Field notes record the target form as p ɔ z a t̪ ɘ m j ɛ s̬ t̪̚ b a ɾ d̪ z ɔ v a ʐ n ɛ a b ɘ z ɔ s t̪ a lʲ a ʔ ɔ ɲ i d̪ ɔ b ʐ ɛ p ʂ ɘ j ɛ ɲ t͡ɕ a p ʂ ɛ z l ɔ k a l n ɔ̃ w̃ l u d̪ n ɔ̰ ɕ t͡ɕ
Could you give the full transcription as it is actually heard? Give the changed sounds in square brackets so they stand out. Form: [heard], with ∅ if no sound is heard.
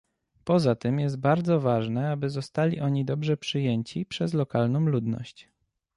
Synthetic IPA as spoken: p ɔ z a t̪ ɘ m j ɛ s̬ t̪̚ b a ɾ d̪ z ɔ v a ʐ n ɛ a b ɘ z ɔ s t̪ a lʲ [i] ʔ ɔ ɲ i d̪ ɔ b ʐ ɛ p ʂ ɘ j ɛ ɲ t͡ɕ [i] p ʂ ɛ z l ɔ k a l n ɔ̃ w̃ l u d̪ n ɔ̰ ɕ t͡ɕ